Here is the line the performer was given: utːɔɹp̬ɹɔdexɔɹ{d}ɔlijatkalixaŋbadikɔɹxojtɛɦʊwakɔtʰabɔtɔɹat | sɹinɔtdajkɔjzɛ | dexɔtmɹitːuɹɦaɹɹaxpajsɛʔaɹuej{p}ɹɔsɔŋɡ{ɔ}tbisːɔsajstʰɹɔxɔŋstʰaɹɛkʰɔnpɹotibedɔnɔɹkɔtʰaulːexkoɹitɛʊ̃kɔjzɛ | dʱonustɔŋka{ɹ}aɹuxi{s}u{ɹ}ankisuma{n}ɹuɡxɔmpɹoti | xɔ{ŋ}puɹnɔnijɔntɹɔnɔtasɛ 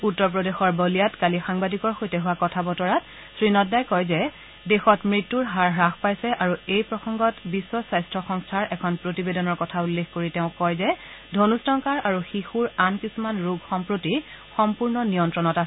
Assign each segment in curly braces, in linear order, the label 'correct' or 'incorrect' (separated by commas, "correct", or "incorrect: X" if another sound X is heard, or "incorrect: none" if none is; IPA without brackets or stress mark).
incorrect: b, correct, correct, correct, incorrect: x, correct, correct, incorrect: m